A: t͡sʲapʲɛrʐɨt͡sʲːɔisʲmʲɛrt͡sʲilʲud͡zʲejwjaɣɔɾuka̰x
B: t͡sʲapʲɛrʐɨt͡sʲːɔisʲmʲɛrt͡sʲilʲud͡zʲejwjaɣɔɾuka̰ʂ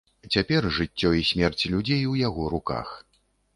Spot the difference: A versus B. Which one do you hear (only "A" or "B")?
A